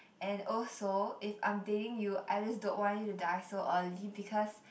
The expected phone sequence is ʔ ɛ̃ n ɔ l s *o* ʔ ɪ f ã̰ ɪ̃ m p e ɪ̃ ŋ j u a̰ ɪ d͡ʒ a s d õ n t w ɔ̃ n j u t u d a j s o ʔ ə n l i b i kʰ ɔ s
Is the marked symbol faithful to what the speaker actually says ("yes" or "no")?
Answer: yes